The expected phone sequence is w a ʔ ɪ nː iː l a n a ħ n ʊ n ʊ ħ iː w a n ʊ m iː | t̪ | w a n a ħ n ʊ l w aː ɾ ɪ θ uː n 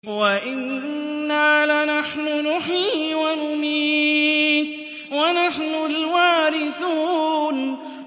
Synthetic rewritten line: w a ʔ ɪ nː aː l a n a ħ n ʊ n ʊ ħ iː w a n ʊ m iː | t̪ | w a n a ħ n ʊ l w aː ɾ ɪ θ uː n